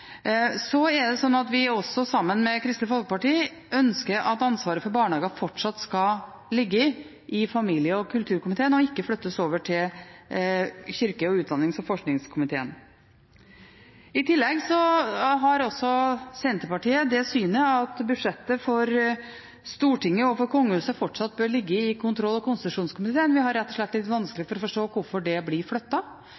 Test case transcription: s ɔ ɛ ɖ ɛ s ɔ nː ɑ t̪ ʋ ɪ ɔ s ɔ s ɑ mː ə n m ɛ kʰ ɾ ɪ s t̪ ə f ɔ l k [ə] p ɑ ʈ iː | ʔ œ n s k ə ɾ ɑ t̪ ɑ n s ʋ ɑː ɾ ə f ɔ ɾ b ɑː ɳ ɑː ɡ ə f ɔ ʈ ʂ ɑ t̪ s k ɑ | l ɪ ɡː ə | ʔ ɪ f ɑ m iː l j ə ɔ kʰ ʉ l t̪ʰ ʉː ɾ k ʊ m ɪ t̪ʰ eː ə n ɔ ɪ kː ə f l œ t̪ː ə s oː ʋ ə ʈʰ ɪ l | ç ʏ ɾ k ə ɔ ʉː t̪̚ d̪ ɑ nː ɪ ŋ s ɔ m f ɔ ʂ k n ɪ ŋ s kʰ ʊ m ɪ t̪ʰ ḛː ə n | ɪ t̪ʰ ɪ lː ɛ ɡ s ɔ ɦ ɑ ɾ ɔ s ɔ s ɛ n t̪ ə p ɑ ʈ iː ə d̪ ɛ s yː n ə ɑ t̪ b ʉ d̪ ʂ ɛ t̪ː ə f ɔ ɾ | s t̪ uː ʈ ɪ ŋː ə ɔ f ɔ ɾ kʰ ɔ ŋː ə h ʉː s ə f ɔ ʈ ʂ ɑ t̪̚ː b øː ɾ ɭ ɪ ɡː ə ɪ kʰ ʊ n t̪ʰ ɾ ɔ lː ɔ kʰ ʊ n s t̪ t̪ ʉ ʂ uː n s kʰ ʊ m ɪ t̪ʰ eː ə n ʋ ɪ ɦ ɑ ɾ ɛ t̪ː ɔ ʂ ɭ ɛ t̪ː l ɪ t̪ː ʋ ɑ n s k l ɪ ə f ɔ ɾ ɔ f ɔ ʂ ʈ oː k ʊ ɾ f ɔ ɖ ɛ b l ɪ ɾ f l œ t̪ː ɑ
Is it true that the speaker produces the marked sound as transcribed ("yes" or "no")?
yes